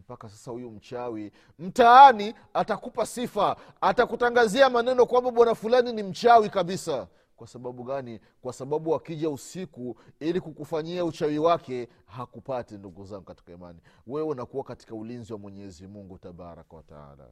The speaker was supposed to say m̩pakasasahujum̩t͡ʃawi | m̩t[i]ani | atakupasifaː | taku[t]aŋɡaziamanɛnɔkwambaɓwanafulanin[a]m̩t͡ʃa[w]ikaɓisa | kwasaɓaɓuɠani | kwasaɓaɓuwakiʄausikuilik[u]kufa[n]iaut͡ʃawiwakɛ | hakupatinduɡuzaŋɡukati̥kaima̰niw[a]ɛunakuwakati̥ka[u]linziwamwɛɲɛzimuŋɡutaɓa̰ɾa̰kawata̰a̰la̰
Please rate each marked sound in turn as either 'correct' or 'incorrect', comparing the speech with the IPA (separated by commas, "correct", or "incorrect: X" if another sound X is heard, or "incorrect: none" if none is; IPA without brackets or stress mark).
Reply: incorrect: a, correct, incorrect: i, correct, correct, incorrect: ɲ, incorrect: ɛ, correct